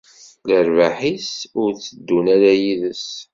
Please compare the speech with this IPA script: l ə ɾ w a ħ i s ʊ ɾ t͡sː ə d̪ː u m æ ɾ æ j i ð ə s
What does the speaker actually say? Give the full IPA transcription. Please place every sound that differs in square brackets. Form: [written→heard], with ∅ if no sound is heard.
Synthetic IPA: l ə ɾ [w→v] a ħ i s ʊ ɾ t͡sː ə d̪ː u [m→n] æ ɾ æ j i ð ə s